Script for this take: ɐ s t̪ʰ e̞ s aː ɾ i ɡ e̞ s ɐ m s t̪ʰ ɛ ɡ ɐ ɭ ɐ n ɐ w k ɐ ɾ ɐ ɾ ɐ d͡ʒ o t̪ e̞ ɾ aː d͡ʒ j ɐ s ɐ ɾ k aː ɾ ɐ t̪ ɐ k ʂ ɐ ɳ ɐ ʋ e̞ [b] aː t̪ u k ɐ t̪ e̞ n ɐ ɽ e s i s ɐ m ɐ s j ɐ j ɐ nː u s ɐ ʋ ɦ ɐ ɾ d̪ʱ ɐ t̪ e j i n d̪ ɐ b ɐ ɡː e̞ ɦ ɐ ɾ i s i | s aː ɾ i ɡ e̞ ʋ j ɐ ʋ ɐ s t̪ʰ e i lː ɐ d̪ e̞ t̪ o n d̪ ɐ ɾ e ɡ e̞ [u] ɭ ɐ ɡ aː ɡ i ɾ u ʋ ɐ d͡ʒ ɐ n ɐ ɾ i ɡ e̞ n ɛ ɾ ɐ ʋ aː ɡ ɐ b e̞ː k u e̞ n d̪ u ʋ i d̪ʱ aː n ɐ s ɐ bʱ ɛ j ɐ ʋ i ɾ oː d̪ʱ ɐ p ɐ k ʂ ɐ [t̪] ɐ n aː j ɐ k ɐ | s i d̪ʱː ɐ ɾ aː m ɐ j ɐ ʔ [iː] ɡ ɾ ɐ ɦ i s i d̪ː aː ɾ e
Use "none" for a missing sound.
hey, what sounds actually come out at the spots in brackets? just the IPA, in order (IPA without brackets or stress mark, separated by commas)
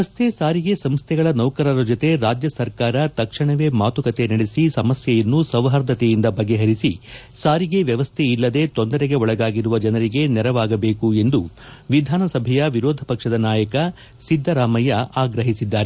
m, ɔ, d̪, aː